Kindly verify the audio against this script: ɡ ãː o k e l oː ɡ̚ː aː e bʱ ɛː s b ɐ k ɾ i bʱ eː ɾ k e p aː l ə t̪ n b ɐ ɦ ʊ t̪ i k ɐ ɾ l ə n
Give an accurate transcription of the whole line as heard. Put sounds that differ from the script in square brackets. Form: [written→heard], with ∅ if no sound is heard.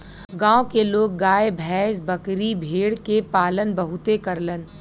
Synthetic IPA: ɡ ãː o k e l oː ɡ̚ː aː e bʱ ɛː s b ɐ k ɾ i bʱ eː [ɾ→ɽ] k e p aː l ə [t̪→∅] n b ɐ ɦ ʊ t̪ [i→e] k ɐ ɾ l ə n